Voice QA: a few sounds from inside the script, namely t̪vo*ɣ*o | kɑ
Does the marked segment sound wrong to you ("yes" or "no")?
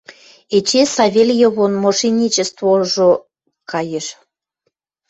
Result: yes